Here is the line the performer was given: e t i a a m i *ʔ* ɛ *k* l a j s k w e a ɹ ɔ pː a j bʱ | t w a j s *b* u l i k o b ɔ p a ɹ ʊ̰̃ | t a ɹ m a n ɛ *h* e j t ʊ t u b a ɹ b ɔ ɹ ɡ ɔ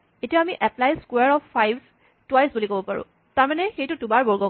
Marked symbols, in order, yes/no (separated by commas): yes, no, yes, no